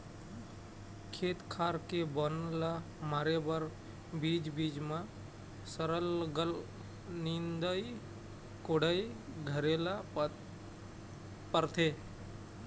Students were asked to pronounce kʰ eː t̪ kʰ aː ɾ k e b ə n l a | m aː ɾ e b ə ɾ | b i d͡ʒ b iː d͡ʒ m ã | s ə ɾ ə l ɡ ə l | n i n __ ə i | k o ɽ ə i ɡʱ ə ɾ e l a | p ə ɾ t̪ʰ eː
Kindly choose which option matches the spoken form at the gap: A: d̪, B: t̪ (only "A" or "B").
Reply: A